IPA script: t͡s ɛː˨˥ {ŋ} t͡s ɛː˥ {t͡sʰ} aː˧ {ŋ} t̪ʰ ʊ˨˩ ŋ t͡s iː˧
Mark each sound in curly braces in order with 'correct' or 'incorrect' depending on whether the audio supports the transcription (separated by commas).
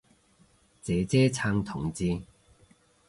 incorrect, correct, correct